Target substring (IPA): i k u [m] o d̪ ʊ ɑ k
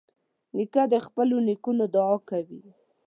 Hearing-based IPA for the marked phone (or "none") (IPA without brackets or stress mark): n